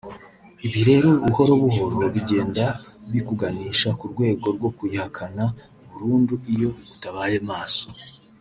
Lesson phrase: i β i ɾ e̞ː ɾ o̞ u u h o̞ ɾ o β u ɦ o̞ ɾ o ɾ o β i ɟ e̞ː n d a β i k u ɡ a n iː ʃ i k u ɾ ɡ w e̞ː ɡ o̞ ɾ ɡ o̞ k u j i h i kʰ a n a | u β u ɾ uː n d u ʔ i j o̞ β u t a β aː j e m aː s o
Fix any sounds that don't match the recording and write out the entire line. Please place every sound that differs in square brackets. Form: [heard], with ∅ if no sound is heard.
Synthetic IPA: i β i ɾ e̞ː ɾ o̞ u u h o̞ ɾ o β u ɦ o̞ ɾ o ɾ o β i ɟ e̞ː n d a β i k u ɡ a n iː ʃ [a] k u ɾ ɡ w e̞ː ɡ o̞ ɾ ɡ o̞ k u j i h [a] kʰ a n a | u β u ɾ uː n d u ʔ i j o̞ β u t a β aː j e m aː s o